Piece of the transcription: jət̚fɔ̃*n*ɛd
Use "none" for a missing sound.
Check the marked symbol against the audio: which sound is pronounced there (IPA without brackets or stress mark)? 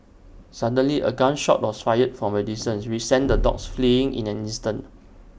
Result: m